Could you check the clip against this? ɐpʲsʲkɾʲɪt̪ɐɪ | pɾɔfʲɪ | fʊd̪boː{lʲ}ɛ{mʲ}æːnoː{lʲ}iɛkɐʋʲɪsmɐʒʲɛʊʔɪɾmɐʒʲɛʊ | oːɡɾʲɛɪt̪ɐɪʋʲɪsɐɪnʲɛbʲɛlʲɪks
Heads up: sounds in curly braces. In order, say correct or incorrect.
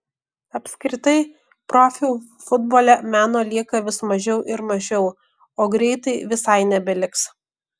correct, correct, correct

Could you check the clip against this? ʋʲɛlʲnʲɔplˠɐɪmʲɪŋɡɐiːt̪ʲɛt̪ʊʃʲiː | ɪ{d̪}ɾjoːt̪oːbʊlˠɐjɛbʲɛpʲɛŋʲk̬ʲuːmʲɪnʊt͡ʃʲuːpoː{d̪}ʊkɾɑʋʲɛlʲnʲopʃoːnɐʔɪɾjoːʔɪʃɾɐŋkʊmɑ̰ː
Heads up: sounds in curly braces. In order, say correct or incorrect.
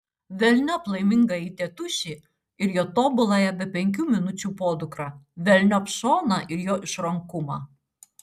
incorrect: none, correct

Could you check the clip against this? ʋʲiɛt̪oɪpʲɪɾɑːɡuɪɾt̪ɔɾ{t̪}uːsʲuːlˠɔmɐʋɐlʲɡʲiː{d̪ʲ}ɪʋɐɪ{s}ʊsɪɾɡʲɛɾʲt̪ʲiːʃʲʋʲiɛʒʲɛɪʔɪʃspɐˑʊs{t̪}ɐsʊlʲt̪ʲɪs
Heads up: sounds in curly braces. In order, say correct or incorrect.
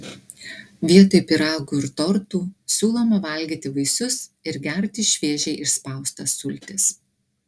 correct, incorrect: t̪ʲ, correct, correct

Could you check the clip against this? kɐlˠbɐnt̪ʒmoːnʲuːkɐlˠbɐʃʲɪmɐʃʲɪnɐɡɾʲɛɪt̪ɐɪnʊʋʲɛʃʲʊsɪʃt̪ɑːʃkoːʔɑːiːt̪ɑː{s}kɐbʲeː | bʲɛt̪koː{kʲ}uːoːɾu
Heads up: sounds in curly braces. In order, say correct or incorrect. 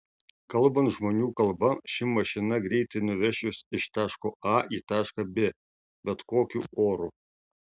incorrect: ʃ, correct

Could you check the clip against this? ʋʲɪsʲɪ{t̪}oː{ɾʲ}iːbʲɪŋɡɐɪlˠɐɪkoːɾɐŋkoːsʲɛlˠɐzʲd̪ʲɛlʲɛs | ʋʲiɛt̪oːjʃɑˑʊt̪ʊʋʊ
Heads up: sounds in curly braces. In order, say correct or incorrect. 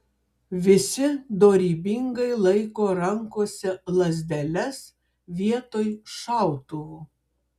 incorrect: d̪, correct

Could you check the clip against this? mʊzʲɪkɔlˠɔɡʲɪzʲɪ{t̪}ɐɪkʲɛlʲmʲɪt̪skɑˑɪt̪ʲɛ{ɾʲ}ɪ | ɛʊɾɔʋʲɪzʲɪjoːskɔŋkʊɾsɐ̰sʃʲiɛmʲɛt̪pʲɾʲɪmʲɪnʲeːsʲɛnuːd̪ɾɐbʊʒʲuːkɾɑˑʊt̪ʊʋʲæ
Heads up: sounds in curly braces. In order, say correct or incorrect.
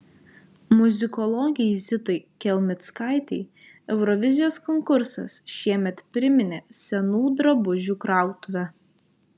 correct, incorrect: none

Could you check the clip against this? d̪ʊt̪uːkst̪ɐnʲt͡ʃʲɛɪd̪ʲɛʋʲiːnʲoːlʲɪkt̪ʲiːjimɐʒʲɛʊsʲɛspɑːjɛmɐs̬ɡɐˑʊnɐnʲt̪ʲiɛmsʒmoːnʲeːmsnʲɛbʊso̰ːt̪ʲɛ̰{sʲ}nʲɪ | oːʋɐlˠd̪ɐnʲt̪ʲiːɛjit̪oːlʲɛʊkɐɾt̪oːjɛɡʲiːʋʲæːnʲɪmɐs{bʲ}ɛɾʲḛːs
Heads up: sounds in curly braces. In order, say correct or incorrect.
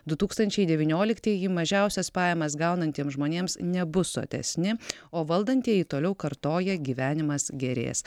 correct, incorrect: ɡʲ

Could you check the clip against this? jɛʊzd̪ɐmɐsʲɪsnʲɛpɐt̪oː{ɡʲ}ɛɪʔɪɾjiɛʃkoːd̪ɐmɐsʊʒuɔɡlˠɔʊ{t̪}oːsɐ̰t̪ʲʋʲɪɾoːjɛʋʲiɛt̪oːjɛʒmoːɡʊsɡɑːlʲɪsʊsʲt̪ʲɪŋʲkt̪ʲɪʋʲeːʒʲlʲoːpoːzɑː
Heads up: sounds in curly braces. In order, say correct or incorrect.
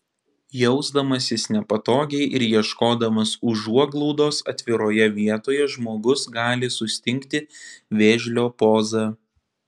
correct, incorrect: d̪

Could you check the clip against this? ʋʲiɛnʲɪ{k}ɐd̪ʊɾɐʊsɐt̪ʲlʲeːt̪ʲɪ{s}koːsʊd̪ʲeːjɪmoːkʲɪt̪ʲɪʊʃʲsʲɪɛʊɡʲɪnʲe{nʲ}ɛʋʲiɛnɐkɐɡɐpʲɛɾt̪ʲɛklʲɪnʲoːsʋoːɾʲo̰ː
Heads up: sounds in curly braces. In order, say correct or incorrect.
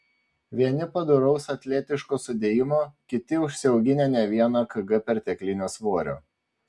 incorrect: p, incorrect: ʃ, correct

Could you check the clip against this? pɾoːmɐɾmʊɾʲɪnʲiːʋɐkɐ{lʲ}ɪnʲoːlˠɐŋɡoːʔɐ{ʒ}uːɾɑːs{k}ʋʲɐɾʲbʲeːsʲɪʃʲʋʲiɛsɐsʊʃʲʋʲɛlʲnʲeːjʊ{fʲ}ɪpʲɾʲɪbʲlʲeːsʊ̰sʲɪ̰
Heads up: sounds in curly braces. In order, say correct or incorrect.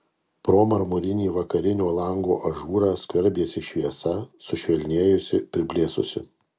incorrect: ɾʲ, correct, correct, incorrect: sʲ

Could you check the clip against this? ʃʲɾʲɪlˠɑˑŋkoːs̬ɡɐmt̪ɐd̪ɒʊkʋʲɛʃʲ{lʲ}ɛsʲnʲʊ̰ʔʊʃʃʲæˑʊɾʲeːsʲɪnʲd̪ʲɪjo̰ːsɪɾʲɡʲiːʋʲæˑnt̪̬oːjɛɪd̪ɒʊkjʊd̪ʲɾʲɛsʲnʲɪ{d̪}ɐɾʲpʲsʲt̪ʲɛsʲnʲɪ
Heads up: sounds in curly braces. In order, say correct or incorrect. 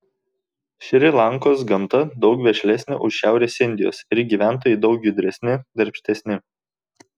correct, correct

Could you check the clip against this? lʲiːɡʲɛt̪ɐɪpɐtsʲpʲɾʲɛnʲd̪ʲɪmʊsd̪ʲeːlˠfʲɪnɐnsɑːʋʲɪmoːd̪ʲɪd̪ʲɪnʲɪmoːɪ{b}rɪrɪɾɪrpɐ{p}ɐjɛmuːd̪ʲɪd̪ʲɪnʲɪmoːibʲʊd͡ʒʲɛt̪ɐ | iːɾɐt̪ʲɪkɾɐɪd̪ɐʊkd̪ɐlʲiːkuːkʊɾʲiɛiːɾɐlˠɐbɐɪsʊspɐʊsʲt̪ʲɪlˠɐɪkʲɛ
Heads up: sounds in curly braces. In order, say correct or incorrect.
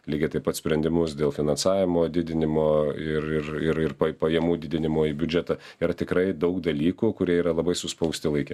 incorrect: none, correct

